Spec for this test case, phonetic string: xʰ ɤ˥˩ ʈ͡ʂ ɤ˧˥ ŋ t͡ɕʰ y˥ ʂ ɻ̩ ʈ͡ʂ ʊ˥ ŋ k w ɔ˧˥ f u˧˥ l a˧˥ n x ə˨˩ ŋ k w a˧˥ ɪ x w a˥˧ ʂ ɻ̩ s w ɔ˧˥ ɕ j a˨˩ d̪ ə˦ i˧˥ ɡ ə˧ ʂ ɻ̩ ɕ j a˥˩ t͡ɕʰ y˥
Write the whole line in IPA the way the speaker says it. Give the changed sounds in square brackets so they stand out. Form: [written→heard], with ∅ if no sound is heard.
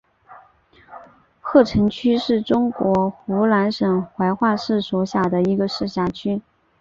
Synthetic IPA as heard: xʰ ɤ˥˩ [ʈ͡ʂ→ʈ͡ʂʰ] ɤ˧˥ ŋ t͡ɕʰ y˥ ʂ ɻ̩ ʈ͡ʂ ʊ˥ ŋ k w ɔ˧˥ [f→x] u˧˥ l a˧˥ n [x→ʂ] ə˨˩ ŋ [k→x] w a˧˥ ɪ x w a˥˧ ʂ ɻ̩ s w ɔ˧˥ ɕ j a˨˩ d̪ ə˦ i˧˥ ɡ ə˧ ʂ ɻ̩ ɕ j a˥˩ t͡ɕʰ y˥